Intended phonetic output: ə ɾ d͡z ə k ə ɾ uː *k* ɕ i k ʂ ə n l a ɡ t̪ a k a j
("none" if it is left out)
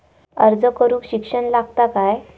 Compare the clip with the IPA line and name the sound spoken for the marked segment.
k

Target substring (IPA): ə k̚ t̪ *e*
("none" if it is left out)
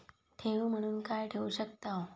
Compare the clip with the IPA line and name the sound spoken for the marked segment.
a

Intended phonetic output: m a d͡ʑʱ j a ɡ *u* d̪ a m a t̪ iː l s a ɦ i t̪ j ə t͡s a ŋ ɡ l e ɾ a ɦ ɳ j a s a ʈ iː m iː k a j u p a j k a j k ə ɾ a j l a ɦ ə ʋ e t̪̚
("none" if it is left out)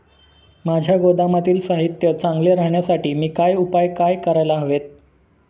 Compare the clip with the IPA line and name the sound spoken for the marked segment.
o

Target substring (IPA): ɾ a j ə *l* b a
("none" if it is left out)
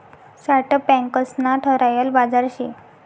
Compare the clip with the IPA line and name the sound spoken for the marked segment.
l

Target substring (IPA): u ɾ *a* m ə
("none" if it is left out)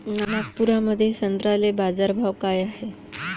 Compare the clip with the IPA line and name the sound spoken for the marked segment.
a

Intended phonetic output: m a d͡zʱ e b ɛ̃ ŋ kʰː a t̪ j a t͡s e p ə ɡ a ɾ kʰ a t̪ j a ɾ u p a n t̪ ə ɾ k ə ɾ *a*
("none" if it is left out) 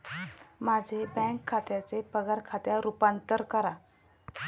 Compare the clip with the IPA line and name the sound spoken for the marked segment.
a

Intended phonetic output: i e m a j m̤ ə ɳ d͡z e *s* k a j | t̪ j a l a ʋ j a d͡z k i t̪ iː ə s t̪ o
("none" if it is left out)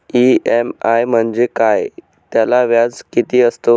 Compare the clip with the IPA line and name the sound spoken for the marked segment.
none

